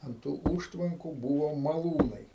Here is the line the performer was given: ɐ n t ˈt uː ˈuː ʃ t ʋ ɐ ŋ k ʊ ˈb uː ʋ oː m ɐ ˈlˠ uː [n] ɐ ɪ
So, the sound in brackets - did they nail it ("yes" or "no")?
yes